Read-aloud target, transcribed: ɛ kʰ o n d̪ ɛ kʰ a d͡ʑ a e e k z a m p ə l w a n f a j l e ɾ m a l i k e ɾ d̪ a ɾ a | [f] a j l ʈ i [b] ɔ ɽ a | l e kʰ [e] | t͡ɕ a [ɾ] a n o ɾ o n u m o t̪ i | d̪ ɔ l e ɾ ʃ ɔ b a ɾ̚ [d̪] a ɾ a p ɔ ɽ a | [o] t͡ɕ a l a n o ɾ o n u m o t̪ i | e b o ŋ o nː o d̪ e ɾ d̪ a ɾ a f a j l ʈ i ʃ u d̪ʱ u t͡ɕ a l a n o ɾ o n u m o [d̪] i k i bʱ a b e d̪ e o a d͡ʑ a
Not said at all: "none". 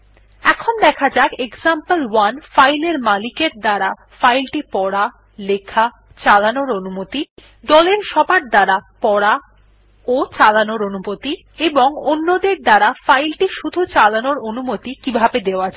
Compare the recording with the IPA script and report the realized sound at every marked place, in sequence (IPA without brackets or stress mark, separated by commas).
f, p, a, l, d̪, o, t̪